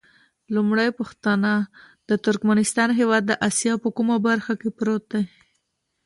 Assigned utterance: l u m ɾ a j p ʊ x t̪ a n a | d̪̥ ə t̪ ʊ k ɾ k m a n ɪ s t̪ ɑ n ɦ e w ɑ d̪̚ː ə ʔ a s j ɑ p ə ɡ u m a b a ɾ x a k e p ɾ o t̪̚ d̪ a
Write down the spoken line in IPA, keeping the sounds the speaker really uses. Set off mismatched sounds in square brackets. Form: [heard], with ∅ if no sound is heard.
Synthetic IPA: l u m [ɽ] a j p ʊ x t̪ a n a | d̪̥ ə t̪ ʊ [∅] ɾ k m a n ɪ s t̪ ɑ n ɦ e w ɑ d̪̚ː ə ʔ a s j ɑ p ə [k] u m a b a ɾ x a k e p ɾ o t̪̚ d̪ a